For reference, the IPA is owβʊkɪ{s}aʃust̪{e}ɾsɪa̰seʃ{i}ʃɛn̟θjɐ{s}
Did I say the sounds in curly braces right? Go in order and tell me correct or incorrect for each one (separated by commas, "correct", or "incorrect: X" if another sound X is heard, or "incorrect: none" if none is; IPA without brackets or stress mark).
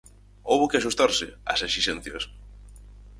incorrect: none, incorrect: a, correct, correct